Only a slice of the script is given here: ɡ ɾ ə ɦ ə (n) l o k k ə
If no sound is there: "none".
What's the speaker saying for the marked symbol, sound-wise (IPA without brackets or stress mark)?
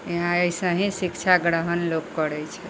n